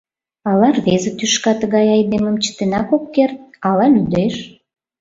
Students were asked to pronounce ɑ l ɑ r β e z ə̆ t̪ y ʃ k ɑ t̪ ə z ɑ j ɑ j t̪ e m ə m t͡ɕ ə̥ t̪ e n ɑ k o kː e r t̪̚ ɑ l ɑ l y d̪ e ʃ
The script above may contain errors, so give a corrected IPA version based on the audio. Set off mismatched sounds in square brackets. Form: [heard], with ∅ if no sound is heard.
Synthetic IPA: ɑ l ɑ r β e z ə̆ t̪ y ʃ k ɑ t̪ ə [ɣ] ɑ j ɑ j [d̪] e m ə m t͡ɕ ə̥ t̪ e n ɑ k o kː e r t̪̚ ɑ l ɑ l y d̪ e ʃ